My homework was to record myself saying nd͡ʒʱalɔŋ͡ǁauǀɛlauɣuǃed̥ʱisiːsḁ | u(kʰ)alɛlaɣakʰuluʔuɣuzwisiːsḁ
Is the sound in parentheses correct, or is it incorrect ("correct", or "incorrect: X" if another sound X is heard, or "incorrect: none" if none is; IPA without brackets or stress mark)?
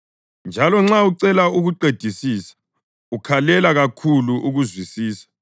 correct